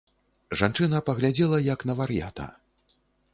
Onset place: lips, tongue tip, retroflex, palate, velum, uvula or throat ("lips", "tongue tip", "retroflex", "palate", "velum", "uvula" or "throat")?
retroflex